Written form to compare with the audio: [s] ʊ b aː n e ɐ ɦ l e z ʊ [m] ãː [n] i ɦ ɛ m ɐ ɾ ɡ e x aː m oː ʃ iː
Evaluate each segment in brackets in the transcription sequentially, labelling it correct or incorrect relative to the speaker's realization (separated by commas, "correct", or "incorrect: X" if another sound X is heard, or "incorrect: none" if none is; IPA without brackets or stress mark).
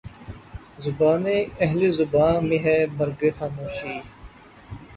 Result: incorrect: z, incorrect: b, incorrect: m